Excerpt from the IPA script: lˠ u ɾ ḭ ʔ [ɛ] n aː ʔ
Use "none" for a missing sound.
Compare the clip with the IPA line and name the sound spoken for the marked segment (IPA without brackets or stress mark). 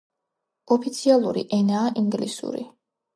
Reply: ɛ